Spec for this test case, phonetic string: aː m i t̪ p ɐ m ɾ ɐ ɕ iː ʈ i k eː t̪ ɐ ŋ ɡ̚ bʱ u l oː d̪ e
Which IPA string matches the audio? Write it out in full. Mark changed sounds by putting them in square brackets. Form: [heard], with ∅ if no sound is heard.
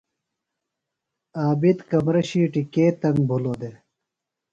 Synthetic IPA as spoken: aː [b] i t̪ [k] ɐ m ɾ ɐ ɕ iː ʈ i k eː t̪ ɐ ŋ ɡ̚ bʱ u l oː d̪ e